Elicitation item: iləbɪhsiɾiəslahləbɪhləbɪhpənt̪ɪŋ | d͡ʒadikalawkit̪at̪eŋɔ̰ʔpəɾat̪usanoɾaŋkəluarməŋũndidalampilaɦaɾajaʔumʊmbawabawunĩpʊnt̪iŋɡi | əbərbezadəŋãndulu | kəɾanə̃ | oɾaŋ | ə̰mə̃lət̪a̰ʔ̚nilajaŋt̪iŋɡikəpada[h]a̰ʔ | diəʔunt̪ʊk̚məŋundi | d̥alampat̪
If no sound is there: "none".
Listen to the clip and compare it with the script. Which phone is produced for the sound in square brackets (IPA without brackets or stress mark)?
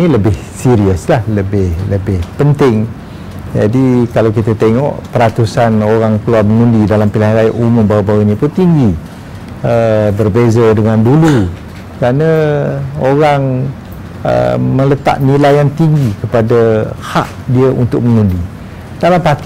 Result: h